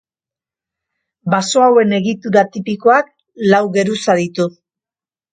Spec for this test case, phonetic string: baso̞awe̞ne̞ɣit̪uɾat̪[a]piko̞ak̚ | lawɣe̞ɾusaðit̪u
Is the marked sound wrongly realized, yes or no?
yes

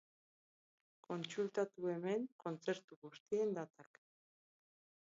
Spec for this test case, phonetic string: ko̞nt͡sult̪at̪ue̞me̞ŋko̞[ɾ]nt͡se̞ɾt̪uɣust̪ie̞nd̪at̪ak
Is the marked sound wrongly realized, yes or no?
yes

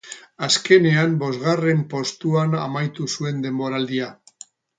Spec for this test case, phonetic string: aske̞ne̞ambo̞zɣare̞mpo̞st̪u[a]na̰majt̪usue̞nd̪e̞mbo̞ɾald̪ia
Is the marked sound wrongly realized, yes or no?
no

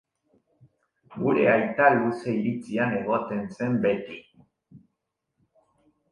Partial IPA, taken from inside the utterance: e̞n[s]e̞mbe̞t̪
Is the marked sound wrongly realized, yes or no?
no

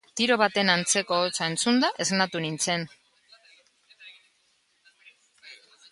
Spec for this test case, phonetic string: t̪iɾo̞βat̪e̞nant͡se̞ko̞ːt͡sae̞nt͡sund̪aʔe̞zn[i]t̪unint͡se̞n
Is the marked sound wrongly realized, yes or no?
yes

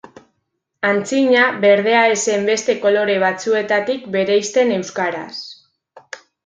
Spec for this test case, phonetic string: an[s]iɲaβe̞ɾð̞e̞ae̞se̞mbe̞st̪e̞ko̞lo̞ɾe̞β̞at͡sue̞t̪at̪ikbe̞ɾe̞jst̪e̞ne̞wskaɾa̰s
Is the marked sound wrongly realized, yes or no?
yes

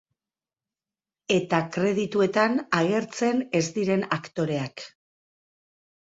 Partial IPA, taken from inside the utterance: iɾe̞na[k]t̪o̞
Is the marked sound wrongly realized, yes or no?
no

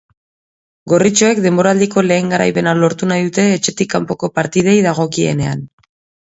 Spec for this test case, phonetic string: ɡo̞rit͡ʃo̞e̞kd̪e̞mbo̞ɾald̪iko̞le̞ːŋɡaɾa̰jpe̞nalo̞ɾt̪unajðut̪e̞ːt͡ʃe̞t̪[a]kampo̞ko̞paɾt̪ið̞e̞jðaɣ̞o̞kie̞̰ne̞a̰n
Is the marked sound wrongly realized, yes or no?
yes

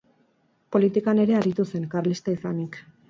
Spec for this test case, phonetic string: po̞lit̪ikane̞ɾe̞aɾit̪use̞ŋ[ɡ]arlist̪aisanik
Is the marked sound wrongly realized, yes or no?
yes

